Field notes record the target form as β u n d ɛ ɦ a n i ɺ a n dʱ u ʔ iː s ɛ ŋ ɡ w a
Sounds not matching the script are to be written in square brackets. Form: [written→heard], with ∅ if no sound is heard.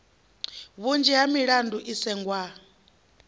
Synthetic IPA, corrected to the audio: β u n [d→d͡ʒ] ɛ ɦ a [n→m] i ɺ a n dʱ u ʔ [iː→i] s ɛ ŋ ɡ w a